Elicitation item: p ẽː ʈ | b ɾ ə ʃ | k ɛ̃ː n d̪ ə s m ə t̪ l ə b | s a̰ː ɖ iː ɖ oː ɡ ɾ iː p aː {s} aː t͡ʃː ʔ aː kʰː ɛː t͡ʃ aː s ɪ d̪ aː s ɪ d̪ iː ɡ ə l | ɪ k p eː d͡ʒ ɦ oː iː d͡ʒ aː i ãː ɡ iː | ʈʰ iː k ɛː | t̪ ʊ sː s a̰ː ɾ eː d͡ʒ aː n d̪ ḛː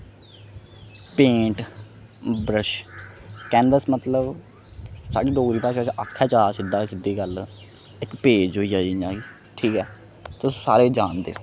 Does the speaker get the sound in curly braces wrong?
yes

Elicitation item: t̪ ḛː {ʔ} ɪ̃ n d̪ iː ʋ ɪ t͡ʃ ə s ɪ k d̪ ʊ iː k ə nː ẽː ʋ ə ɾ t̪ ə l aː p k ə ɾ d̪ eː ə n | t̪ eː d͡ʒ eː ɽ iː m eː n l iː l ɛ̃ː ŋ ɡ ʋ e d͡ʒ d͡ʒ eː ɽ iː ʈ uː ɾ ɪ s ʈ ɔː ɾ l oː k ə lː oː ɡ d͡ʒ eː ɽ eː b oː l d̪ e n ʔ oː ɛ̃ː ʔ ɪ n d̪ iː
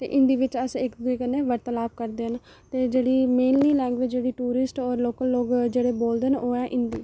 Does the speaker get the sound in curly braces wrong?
no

